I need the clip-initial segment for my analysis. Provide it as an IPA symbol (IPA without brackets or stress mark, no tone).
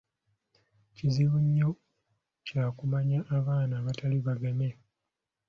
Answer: c